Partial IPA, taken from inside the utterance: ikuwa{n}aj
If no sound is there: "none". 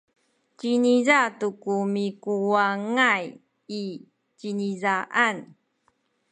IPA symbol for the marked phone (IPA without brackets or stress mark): ŋ